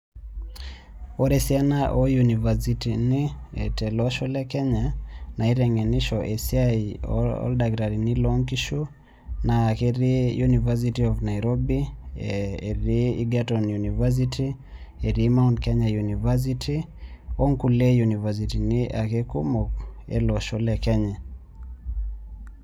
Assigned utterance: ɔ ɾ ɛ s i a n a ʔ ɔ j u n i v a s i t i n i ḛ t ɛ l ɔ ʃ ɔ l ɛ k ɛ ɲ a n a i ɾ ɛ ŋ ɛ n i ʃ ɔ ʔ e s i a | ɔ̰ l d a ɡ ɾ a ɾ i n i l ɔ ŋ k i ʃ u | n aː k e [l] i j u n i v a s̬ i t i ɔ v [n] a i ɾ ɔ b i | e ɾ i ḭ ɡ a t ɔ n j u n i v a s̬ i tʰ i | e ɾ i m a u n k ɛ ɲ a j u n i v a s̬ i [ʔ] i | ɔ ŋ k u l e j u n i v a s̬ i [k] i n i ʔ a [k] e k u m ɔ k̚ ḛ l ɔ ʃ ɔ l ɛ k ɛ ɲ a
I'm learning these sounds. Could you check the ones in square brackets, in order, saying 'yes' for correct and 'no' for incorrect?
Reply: no, yes, no, no, yes

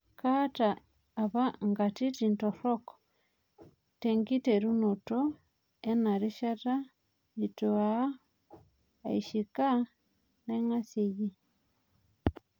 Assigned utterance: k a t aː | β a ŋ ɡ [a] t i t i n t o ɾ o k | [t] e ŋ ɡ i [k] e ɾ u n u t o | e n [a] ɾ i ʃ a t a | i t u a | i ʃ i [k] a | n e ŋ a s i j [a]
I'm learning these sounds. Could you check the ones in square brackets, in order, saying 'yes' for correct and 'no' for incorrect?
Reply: yes, yes, no, yes, yes, no

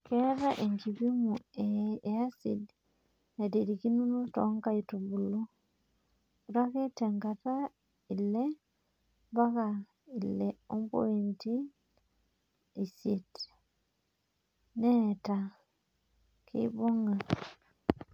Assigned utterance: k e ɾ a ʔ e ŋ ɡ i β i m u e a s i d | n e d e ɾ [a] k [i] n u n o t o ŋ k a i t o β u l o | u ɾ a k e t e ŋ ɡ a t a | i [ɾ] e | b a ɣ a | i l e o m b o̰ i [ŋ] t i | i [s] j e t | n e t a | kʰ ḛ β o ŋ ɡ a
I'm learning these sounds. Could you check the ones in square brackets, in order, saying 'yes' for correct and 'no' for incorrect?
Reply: no, yes, no, no, yes

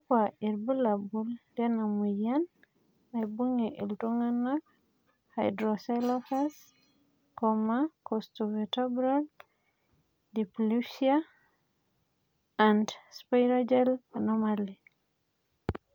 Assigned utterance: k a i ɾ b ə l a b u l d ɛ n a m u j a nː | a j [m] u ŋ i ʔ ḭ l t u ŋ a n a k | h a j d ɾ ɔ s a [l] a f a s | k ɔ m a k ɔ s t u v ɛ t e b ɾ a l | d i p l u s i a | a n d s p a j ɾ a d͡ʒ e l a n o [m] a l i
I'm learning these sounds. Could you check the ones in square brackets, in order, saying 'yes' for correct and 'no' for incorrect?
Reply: no, yes, yes

